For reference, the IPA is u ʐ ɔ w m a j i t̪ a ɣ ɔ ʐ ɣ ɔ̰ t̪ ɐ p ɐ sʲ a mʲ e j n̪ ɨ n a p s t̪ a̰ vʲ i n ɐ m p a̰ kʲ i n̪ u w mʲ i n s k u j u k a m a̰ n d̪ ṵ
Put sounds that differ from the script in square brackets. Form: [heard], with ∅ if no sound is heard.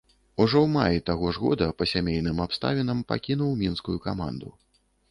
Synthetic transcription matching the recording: u ʐ ɔ w m a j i t̪ a ɣ ɔ ʐ ɣ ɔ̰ [d̪] ɐ p ɐ sʲ a mʲ e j n̪ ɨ [m] a p s t̪ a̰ vʲ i n ɐ m p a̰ kʲ i n̪ u w mʲ i n s k u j u k a m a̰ n d̪ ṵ